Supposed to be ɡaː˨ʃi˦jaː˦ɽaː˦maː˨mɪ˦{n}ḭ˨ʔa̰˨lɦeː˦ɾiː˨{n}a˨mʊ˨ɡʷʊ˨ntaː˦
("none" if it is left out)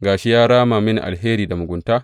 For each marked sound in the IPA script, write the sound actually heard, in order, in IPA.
n, d

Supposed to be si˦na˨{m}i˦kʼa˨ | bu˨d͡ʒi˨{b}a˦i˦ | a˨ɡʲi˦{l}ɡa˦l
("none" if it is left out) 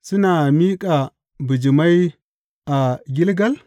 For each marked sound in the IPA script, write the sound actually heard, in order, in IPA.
m, m, l

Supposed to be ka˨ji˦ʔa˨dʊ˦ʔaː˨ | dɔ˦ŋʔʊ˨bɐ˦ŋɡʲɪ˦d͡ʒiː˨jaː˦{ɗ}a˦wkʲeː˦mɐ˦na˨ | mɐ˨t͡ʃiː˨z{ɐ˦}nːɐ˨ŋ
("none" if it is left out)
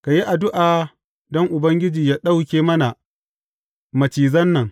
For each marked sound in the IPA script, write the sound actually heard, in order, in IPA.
ɗ, ɐ˦

